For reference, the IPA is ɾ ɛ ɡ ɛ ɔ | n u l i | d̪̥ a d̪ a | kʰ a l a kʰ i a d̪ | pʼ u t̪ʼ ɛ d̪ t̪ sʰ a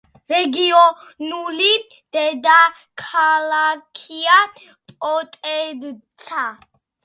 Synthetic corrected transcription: ɾ ɛ ɡ i ɔ | n u l i | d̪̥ ɛ d̪ a | kʰ a l a kʰ i a | pʼ ɔ t̪ʼ ɛ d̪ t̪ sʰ a